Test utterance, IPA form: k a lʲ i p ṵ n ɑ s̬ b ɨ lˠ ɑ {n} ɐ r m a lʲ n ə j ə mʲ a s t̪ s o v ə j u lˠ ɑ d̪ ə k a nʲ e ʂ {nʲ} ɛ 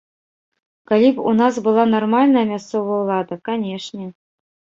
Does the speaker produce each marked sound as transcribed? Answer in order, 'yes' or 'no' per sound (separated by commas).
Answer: yes, yes